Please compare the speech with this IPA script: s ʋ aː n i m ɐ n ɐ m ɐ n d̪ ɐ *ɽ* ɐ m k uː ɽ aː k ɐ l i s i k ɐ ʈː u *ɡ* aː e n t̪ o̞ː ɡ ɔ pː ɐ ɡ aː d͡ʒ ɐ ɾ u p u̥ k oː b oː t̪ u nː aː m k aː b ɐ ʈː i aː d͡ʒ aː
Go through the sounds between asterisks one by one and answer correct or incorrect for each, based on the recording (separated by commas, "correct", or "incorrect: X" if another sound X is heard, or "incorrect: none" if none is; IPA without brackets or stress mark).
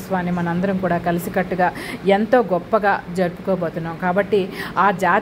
incorrect: ɾ, correct